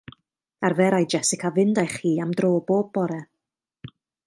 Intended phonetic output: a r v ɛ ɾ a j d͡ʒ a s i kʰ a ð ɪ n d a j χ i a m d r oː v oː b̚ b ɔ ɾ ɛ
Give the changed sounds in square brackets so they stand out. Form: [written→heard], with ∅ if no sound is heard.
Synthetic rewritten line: a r v ɛ ɾ a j d͡ʒ [a→ɛ] s [i→ɪ] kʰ a [ð→v] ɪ n d a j χ [i→iː] a m d r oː [v→b] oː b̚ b ɔ ɾ ɛ